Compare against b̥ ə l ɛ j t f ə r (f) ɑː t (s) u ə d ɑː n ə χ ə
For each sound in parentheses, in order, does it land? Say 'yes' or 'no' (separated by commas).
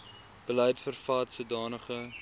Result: yes, yes